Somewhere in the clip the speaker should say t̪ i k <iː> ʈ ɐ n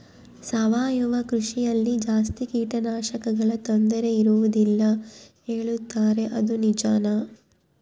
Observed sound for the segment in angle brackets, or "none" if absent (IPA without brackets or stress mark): iː